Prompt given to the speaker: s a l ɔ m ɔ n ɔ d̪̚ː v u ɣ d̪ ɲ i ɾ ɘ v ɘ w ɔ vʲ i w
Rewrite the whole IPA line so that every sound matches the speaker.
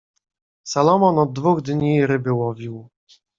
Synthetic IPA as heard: s a l ɔ m ɔ n ɔ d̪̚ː v u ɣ d̪ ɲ i ɾ ɘ b ɘ w ɔ vʲ i w

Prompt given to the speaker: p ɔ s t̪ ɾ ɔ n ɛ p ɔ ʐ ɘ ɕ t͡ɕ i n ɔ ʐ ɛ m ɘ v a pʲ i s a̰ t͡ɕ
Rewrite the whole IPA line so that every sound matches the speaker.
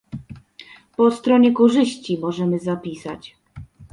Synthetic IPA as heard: p ɔ s t̪ ɾ ɔ ɲ ɛ k ɔ ʐ ɘ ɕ t͡ɕ i m ɔ ʐ ɛ m ɘ z a pʲ i s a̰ t͡ɕ

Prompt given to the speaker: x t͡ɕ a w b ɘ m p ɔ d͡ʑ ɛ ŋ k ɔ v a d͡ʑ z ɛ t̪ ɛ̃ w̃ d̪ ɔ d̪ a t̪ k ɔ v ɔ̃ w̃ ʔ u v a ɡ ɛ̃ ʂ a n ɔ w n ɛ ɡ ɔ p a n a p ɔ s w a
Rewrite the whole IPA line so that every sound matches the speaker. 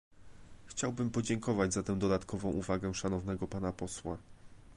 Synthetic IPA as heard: x t͡ɕ a w b ɘ m p ɔ d͡ʑ ɛ ŋ k ɔ v a d͡ʑ z a t̪ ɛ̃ w̃ d̪ ɔ d̪ a t̪ k ɔ v ɔ̃ w̃ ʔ u v a ɡ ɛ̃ ʂ a n ɔ v n ɛ ɡ ɔ p a n a p ɔ s w a

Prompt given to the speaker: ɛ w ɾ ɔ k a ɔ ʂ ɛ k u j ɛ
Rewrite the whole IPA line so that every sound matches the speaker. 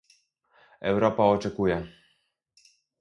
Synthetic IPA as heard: ɛ w ɾ ɔ p a ɔ t͡ʂ ɛ k u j ɛ

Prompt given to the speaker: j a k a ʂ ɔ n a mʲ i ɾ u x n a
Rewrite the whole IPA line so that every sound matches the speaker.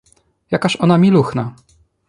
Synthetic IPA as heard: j a k a ɕ ɔ n a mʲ i l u x n a

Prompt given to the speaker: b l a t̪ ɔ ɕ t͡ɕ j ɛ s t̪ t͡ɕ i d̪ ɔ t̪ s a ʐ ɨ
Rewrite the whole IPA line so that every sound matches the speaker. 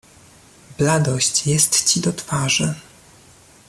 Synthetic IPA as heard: b l a d̪ ɔ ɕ t͡ɕ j ɛ s t̪ t͡ɕ i d̪ ɔ t̪ f a ʐ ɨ

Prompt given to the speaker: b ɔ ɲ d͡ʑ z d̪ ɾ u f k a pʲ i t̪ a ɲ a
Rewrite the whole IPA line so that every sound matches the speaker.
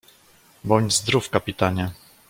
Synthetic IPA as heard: b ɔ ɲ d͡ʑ z d̪ ɾ u f k a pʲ i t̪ a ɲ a

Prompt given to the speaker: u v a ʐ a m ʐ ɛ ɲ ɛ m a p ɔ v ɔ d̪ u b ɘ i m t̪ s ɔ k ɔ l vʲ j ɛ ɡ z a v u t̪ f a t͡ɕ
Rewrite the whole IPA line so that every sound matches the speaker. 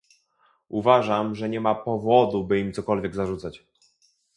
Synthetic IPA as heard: u v a ʐ a m ʐ ɛ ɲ ɛ m a p ɔ v ɔ d̪ u b ɘ i m t̪ s ɔ k ɔ l vʲ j ɛ ɡ z a ʐ u t̪ s a t͡ɕ

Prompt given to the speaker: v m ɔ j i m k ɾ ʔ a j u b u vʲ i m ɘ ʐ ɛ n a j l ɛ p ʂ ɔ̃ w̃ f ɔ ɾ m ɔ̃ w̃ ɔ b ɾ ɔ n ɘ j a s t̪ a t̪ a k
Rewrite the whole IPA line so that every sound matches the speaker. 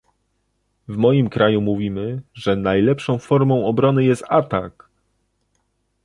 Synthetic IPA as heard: v m ɔ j i m k ɾ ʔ a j u m u vʲ i m ɘ ʐ ɛ n a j l ɛ p ʂ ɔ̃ w̃ f ɔ ɾ m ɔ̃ w̃ ɔ b ɾ ɔ n ɘ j ɛ s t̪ a t̪ a k

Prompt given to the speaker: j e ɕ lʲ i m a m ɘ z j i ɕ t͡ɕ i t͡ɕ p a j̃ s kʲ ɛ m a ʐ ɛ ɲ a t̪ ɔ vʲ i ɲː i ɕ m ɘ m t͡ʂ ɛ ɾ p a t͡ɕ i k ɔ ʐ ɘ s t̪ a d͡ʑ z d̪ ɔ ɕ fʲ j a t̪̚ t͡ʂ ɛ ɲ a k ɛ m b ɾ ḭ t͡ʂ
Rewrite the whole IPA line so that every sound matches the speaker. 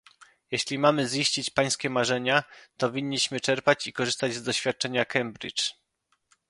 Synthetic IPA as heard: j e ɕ lʲ i m a m ɘ z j i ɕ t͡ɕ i t͡ɕ p a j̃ s kʲ ɛ m a ʐ ɛ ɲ a t̪ ɔ vʲ i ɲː i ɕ m ɘ t͡ʂ ɛ ɾ p a t͡ɕ i k ɔ ʐ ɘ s t̪ a d͡ʑ z d̪ ɔ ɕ fʲ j a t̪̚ t͡ʂ ɛ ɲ a k ɛ m b ɾ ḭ t͡ʂ

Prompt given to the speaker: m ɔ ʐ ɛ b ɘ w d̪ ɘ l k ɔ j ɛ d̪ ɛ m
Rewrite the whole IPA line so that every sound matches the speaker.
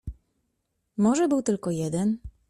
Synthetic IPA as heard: m ɔ ʐ ɛ b ɘ w t̪ ɘ l k ɔ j ɛ d̪ ɛ n

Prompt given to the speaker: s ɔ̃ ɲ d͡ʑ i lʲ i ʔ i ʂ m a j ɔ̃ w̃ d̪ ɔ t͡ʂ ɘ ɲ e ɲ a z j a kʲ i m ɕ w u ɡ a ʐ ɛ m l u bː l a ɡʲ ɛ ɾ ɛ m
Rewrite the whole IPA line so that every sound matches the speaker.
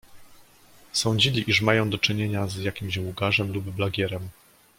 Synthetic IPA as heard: s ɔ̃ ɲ d͡ʑ i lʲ i ʔ i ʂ m a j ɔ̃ w̃ d̪ ɔ t͡ʂ ɘ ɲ e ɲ a z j a kʲ i m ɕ w u ɡ a ʐ ɛ m l u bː l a ɡʲ ɛ ɾ ɛ m

